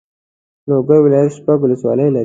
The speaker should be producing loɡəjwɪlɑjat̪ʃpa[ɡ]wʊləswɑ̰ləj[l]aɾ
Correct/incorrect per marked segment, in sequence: correct, correct

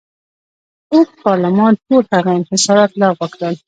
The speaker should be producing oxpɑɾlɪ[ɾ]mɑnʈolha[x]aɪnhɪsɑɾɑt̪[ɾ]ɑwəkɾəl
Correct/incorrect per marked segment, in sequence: incorrect: none, incorrect: ɣ, incorrect: l

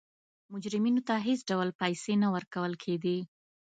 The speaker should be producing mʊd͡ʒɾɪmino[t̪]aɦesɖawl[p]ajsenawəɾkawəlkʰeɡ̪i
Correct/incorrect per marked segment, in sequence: correct, correct

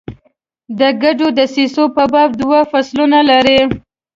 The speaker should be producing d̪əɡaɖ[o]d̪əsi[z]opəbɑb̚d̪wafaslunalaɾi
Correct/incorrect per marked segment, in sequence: correct, incorrect: s

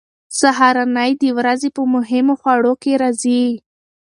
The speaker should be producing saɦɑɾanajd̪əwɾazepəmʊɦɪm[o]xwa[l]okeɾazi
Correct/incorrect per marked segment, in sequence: correct, incorrect: ɽ

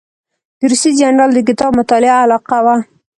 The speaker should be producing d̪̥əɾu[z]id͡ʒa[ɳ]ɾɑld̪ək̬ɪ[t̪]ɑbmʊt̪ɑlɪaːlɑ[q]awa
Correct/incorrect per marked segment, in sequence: incorrect: s, incorrect: n, correct, correct

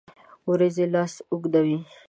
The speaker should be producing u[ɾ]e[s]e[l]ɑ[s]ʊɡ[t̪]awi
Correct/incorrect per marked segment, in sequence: correct, incorrect: z, correct, correct, incorrect: d̪

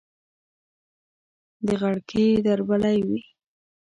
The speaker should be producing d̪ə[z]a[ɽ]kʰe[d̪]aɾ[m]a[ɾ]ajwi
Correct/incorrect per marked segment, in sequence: incorrect: ɣ, correct, correct, incorrect: b, incorrect: l

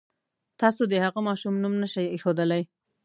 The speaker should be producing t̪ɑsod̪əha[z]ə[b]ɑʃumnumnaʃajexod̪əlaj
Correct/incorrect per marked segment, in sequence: incorrect: ɣ, incorrect: m

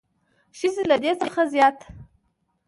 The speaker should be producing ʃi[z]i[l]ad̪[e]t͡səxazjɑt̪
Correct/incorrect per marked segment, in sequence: correct, correct, correct

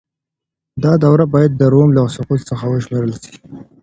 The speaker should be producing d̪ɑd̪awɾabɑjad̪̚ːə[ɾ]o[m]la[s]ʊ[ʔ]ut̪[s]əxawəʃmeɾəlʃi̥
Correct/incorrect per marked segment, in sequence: correct, correct, correct, incorrect: q, correct

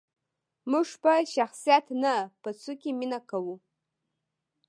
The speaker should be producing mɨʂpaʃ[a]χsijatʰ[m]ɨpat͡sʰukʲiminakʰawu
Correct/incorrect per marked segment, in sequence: correct, incorrect: n

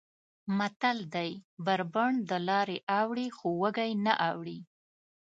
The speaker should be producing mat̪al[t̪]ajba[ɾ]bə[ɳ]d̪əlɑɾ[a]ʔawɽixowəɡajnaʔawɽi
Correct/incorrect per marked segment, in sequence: incorrect: d̪, correct, correct, incorrect: e

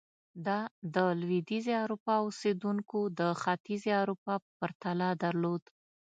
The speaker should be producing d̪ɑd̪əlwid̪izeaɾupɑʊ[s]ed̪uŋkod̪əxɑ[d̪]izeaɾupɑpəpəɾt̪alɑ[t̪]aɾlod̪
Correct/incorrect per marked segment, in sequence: correct, incorrect: t̪, incorrect: d̪

